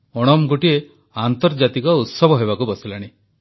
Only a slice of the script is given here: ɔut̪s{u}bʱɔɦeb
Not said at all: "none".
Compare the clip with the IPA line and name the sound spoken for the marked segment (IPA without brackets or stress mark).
ɔ